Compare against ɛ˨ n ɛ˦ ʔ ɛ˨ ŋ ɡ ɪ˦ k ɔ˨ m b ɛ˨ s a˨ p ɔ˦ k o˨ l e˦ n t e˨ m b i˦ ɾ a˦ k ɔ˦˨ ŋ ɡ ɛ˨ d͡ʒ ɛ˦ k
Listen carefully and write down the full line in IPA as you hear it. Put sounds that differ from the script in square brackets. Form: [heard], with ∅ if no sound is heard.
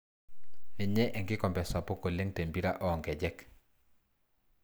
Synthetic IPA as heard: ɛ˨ [ɲ] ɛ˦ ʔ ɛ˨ ŋ ɡ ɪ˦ k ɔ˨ m b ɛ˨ s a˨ p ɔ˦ k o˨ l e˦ [ŋ] t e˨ m b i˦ ɾ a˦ [ʔ] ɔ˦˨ ŋ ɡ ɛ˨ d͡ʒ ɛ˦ k